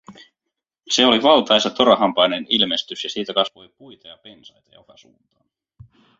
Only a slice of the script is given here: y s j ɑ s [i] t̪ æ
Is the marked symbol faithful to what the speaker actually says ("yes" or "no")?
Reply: no